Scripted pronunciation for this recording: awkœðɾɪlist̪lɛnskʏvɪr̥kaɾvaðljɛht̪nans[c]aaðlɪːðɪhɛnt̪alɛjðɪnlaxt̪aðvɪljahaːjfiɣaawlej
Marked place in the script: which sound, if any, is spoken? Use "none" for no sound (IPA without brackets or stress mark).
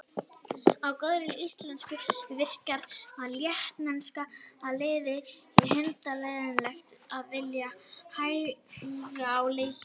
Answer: k